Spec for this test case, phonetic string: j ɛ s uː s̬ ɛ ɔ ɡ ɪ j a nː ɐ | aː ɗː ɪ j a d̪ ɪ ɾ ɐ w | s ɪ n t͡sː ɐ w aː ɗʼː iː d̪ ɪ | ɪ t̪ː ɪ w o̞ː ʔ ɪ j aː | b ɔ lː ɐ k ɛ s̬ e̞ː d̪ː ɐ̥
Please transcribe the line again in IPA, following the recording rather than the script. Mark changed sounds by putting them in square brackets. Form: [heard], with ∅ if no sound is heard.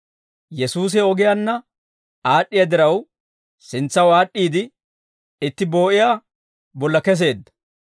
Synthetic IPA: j ɛ s uː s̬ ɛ ɔ ɡ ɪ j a nː ɐ | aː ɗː ɪ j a d̪ ɪ ɾ ɐ w | s ɪ n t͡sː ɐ w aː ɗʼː iː d̪ ɪ | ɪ t̪ː ɪ [b] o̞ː ʔ ɪ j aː | b ɔ lː ɐ k ɛ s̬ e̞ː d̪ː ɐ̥